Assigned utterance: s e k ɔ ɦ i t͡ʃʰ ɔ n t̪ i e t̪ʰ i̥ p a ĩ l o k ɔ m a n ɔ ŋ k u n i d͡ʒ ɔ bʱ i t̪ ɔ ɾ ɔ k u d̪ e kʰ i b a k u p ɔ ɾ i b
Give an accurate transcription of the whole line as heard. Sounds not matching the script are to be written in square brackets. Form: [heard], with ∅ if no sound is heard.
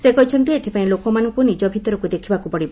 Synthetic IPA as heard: s e k ɔ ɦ i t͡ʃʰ ɔ n t̪ i e t̪ʰ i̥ p a ĩ l o k ɔ m a n ɔ ŋ k u n i d͡ʒ ɔ bʱ i t̪ ɔ ɾ ɔ k u d̪ e kʰ i b a k u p ɔ [ɽ] i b

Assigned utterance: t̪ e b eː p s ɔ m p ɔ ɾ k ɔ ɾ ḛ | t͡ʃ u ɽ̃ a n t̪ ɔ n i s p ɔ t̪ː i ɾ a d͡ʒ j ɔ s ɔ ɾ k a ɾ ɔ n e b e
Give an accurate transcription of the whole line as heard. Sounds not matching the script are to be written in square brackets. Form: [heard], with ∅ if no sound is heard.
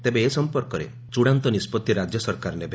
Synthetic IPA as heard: t̪ e b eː [∅] s ɔ m p ɔ ɾ k ɔ ɾ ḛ | t͡ʃ u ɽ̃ a n t̪ ɔ n i s p ɔ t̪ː i ɾ a d͡ʒ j ɔ s ɔ ɾ k a ɾ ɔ n e b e

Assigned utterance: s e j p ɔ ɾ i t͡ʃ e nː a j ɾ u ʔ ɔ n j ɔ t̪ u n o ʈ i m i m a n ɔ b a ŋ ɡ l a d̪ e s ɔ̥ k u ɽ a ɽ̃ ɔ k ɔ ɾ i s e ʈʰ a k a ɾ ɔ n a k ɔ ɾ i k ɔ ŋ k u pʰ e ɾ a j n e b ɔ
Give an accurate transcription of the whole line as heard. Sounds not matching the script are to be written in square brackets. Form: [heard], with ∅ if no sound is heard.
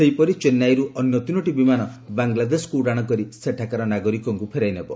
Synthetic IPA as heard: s e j p ɔ ɾ i t͡ʃ e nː a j ɾ u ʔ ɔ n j ɔ t̪ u n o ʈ i [b] i m a n ɔ b a ŋ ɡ l a d̪ e s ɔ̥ k u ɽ a ɽ̃ ɔ k ɔ ɾ i s e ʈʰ a k a ɾ ɔ n a [ɡ] ɔ ɾ i k ɔ ŋ k u pʰ e ɾ a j n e b ɔ

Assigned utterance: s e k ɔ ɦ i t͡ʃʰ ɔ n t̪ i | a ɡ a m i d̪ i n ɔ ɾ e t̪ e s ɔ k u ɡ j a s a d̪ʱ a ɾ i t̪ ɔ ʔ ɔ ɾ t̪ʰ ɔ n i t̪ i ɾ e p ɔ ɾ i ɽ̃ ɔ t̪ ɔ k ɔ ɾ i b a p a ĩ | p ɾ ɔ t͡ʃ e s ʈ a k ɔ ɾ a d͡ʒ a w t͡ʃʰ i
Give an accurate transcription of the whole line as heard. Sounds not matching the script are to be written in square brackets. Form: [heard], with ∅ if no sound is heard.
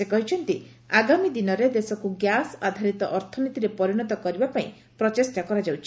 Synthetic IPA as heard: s e k ɔ ɦ i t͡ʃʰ ɔ n t̪ i | a ɡ a m i d̪ i n ɔ ɾ e [d̪] e s ɔ k u ɡ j a s a d̪ʱ a ɾ i t̪ ɔ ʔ ɔ ɾ t̪ʰ ɔ n i t̪ i ɾ e p ɔ ɾ i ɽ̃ ɔ t̪ ɔ k ɔ ɾ i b a p a ĩ | p ɾ ɔ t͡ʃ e s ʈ a k ɔ ɾ a d͡ʒ a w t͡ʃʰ i

